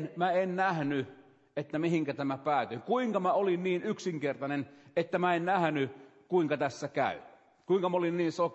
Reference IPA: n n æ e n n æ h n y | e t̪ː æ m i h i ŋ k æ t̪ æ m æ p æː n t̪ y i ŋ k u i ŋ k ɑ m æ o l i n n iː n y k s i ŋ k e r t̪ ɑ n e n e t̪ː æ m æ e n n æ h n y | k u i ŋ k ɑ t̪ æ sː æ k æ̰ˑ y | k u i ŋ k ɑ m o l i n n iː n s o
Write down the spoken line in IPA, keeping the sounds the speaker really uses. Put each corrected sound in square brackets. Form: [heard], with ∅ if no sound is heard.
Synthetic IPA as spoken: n [m] æ e n n æ h n y | e t̪ː æ m i h i ŋ k æ t̪ æ m æ p æː [∅] t̪ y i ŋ k u i ŋ k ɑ m æ o l i n n iː n y k s i ŋ k e r t̪ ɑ n e n e t̪ː æ m æ e n n æ h n y | k u i ŋ k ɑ t̪ æ sː æ k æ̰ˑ y | k u i ŋ k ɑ m o l i n n iː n s o